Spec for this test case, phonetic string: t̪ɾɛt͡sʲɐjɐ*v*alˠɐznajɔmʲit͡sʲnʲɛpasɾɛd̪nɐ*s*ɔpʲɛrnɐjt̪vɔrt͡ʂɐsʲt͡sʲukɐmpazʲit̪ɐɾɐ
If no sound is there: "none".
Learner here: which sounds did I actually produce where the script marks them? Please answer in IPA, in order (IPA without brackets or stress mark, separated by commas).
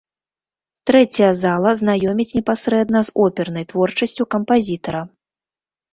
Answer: z, z